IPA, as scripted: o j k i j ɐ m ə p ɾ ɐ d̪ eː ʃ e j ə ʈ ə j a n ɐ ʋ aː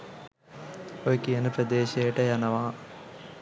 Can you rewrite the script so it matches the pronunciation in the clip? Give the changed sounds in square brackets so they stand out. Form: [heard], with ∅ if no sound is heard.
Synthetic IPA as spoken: o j k i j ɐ [n] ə p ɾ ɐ d̪ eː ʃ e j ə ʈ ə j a n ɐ ʋ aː